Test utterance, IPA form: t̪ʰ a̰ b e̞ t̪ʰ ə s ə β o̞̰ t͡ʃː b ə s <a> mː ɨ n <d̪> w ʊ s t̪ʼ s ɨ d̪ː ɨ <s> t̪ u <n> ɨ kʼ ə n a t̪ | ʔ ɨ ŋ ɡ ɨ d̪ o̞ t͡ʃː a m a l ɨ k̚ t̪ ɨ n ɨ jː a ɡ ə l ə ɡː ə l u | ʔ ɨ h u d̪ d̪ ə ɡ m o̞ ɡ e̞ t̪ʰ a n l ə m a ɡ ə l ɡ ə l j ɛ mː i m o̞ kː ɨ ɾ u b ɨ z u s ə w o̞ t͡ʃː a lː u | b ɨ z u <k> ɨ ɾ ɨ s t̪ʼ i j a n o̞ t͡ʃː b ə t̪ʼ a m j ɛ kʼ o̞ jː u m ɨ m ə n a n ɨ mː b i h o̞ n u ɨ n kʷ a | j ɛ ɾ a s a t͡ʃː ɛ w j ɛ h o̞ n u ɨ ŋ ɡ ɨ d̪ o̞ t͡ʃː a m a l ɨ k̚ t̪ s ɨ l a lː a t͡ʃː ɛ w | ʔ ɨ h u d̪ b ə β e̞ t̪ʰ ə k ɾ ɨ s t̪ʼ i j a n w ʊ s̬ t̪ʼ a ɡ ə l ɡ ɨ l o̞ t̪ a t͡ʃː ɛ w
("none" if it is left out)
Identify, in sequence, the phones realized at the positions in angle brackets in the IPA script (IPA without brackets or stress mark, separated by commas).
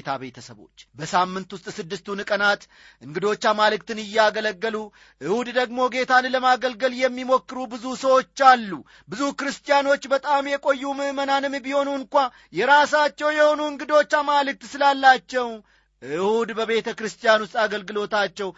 a, t̪, s, n, k